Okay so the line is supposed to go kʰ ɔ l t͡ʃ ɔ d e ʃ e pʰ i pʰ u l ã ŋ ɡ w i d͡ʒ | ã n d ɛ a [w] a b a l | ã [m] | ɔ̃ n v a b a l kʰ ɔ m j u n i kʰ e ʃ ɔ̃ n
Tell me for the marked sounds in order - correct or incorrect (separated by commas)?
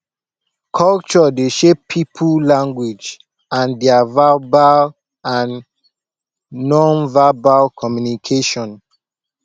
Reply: incorrect, incorrect